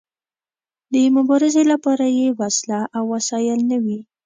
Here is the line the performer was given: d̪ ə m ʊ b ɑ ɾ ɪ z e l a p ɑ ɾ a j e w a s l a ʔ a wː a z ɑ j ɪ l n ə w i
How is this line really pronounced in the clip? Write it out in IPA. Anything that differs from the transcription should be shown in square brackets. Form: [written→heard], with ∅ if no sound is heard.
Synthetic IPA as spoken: d̪ ə m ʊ b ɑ ɾ ɪ z e l a p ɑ ɾ a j e w a s l a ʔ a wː a [z→s] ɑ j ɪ l n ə w i